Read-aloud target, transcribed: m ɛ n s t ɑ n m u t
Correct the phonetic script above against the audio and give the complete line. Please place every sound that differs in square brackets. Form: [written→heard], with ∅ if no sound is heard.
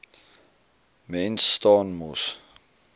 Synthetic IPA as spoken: m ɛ n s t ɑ n m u [t→s]